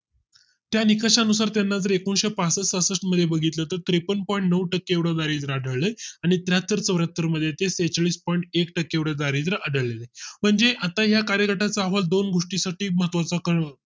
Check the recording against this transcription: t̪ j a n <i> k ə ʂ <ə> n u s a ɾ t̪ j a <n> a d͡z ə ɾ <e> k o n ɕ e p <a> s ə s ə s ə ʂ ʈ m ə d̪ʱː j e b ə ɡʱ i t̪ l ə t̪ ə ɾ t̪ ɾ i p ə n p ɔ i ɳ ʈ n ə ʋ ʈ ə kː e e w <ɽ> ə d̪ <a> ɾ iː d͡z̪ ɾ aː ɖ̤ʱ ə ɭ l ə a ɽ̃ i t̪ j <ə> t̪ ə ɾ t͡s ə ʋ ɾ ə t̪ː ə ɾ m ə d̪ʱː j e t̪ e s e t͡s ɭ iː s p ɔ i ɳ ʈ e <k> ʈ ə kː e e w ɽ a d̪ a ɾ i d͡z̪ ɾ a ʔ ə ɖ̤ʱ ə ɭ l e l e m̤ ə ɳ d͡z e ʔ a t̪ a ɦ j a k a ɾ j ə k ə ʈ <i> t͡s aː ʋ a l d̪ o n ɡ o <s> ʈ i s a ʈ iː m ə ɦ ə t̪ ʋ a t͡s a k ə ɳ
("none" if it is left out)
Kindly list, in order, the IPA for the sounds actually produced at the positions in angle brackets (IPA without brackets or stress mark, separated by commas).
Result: i, a, nː, e, a, ɽ, a, a, k, a, ʂ